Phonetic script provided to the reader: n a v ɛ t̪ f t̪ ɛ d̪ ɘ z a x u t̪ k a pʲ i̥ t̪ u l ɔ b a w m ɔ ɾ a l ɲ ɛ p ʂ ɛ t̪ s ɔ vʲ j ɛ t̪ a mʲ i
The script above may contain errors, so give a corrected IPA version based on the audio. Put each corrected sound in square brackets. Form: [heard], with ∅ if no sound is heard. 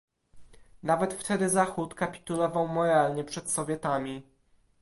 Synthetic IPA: n a v ɛ t̪ f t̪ ɛ d̪ ɘ z a x u t̪ k a pʲ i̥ t̪ u l ɔ [v] a w m ɔ ɾ a l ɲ ɛ p ʂ ɛ t̪ s ɔ vʲ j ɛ t̪ a mʲ i